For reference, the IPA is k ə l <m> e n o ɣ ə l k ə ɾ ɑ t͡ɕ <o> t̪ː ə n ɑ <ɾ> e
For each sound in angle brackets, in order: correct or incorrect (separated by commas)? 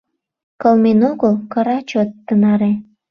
correct, correct, correct